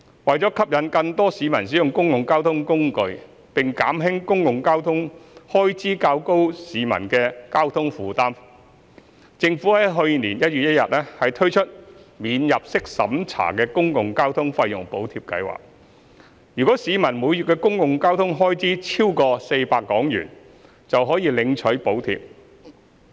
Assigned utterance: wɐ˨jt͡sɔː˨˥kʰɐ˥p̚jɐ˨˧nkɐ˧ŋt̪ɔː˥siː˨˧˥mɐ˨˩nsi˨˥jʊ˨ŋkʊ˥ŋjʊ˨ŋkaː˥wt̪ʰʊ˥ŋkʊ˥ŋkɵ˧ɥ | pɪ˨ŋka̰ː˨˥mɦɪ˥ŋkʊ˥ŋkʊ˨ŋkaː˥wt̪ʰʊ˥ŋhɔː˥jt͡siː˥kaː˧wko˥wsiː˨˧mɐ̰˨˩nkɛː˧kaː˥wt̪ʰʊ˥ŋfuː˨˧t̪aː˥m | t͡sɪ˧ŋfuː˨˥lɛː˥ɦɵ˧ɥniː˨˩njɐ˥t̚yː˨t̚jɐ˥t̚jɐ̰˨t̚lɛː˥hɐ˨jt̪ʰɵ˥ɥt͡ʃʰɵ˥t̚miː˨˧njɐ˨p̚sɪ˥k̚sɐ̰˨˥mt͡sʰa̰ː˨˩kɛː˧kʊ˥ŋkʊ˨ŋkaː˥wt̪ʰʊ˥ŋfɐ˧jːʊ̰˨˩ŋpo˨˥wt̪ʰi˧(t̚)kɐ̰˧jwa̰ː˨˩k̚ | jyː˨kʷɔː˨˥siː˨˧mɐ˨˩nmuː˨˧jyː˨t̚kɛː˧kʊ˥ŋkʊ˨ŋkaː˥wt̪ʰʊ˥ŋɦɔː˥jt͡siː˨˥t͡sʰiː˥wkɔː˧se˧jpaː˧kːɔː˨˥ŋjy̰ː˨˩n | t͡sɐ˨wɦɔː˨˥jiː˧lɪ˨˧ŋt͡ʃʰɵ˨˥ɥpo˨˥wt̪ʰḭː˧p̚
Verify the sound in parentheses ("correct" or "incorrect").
incorrect